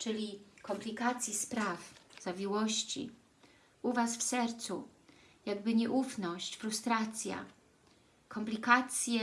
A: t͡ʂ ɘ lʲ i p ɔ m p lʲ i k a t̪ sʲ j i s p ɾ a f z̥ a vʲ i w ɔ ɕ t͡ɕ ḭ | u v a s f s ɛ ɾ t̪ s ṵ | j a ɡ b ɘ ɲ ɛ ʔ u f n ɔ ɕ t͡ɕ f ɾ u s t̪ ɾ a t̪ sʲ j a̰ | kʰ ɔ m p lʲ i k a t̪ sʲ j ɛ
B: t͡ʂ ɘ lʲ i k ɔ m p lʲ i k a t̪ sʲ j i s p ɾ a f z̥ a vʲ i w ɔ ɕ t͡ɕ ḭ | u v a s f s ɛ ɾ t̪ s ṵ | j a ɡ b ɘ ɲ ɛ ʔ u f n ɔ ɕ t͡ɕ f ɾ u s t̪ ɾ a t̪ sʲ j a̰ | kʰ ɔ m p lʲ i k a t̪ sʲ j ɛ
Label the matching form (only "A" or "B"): B